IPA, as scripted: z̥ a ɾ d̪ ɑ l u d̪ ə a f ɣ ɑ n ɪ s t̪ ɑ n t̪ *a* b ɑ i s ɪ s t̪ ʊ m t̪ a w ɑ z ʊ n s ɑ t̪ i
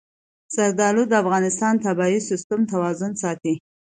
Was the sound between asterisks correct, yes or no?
yes